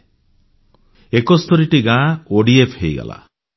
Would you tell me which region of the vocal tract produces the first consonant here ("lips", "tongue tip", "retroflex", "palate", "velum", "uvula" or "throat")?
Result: velum